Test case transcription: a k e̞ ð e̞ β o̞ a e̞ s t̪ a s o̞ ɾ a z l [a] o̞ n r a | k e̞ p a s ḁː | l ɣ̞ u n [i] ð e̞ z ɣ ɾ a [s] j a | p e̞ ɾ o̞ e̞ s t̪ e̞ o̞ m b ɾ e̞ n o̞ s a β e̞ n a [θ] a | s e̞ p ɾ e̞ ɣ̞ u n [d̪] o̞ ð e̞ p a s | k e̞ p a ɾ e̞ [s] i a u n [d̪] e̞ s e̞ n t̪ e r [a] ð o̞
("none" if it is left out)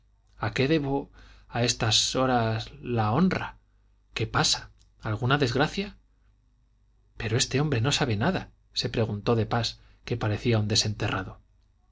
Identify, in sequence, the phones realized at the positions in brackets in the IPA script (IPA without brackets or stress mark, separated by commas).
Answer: a, a, θ, ð, t̪, θ, d̪, a